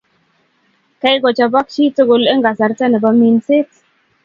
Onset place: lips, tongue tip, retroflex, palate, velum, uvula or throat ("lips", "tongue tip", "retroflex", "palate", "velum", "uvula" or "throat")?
velum